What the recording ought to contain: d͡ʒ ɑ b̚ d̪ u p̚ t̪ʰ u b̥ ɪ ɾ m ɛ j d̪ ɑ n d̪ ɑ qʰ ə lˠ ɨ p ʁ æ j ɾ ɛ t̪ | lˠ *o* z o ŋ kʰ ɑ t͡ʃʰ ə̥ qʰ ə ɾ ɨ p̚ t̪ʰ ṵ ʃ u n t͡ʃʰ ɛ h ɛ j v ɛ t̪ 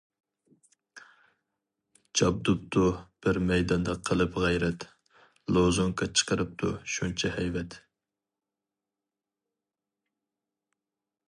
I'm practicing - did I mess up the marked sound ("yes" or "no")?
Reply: no